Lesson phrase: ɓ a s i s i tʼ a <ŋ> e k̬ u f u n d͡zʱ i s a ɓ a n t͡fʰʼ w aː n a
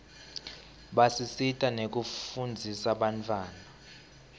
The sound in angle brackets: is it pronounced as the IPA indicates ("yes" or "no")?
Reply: no